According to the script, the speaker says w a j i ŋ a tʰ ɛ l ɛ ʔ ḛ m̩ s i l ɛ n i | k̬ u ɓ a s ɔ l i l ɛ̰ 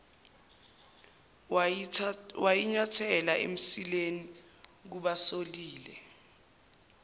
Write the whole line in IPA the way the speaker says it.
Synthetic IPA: w a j i ɲ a tʰ ɛ l a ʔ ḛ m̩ s i l e n i | k̬ u ɓ a s o l iː l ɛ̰